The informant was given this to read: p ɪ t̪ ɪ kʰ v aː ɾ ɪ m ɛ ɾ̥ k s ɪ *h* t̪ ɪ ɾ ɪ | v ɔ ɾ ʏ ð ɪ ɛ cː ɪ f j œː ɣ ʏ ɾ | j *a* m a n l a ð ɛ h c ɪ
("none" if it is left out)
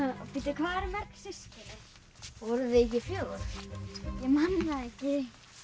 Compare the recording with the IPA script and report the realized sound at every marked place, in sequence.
s, ɛ

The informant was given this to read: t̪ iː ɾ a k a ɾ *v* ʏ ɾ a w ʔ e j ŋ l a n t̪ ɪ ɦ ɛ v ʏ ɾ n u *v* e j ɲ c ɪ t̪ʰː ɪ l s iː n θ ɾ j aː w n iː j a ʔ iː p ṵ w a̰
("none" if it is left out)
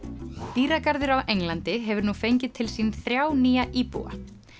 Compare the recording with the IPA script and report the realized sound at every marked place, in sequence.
ð, f

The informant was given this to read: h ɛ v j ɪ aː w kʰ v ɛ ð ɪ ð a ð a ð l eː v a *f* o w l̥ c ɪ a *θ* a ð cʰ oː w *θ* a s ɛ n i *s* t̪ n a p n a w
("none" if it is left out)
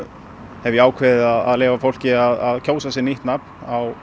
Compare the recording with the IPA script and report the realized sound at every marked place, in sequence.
f, ð, s, h

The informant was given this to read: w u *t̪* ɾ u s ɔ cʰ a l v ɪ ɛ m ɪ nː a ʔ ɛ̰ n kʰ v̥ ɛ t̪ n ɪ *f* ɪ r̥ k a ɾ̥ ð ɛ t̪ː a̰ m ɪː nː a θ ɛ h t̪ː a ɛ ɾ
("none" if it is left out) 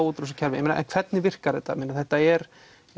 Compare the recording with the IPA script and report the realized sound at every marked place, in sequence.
t̪, v

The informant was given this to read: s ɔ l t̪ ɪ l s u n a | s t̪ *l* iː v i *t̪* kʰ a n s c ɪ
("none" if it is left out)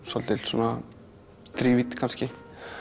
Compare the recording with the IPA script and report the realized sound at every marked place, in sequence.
ɾ, t̪

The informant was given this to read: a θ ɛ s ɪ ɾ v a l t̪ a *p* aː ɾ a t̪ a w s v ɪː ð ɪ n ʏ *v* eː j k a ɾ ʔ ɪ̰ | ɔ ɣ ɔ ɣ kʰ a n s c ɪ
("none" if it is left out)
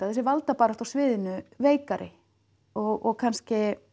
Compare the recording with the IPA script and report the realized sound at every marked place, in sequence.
p, v

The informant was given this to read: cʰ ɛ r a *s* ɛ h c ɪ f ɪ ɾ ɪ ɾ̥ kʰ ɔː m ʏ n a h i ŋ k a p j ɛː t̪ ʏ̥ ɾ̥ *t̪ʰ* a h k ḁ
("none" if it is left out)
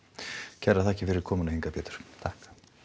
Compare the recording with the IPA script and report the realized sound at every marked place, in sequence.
θ, t̪ʰ

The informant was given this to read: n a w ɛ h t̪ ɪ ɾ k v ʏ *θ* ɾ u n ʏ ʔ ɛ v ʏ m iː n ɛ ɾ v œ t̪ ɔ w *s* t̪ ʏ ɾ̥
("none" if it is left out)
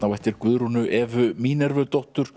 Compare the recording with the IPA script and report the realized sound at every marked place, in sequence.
ð, h

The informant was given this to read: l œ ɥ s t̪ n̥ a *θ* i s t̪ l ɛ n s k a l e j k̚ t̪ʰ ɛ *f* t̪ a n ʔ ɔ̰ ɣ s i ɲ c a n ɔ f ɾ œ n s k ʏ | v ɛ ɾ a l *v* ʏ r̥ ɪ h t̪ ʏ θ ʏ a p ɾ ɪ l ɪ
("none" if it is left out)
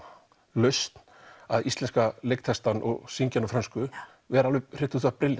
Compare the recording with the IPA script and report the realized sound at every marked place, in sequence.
ð, s, v

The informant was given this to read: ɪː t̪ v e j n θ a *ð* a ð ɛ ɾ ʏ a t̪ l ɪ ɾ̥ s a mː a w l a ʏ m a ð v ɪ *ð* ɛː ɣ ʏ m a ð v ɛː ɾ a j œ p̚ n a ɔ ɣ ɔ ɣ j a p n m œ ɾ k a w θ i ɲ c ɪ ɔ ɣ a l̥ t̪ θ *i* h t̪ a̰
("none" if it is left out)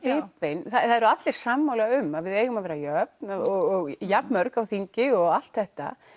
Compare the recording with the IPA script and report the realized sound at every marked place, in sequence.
θ, ð, ɛ

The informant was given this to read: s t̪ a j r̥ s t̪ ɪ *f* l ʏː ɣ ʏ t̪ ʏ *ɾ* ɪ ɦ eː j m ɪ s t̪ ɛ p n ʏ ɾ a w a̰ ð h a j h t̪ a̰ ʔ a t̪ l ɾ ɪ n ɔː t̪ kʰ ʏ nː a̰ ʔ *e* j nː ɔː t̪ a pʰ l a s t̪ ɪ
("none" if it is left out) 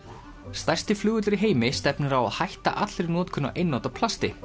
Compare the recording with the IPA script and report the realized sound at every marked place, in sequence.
f, ɾ, e

